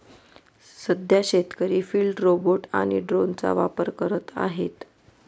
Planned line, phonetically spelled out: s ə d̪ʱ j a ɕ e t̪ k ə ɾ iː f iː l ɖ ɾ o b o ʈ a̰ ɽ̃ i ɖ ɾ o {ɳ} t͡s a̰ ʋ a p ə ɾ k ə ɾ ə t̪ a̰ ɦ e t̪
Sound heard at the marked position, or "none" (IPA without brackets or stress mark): n